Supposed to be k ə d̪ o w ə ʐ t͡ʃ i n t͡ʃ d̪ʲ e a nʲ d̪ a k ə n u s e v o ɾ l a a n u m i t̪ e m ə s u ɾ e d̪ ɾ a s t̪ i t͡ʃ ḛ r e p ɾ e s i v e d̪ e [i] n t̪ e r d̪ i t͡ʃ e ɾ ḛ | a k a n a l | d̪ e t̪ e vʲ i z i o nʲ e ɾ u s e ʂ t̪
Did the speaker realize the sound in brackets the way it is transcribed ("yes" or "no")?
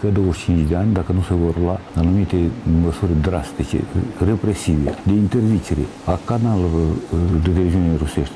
yes